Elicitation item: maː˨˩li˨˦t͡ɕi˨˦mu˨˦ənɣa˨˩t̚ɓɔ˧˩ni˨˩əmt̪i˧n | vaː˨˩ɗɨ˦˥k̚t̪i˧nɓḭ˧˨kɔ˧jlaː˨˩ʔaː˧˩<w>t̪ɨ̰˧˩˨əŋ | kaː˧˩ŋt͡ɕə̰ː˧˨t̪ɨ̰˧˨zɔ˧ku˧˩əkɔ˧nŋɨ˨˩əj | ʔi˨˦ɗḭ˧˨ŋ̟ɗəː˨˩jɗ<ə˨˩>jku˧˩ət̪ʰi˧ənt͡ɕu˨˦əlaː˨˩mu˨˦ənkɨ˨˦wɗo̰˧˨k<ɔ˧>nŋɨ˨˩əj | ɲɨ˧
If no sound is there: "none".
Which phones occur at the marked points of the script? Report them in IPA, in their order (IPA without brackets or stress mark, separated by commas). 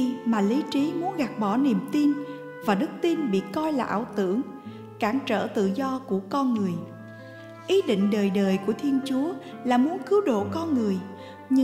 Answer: w, əː˨˩, ɔ˧